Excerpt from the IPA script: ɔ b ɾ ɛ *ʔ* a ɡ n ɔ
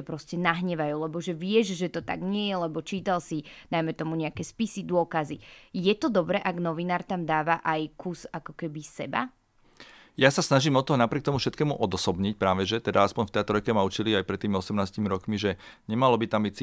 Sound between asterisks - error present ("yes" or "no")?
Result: no